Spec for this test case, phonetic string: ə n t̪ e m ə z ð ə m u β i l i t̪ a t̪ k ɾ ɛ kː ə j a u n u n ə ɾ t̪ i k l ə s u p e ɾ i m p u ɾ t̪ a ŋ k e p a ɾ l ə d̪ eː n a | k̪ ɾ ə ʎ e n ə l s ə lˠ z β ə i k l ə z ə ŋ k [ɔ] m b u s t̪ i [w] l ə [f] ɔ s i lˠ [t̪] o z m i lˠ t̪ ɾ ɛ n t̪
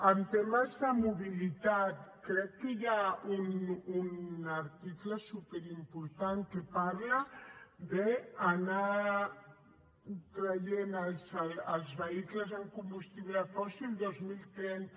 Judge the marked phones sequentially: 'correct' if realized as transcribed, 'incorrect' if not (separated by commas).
incorrect, incorrect, correct, incorrect